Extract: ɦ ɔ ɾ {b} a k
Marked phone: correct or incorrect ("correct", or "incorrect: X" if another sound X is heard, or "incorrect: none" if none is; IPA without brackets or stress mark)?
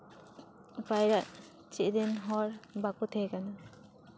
correct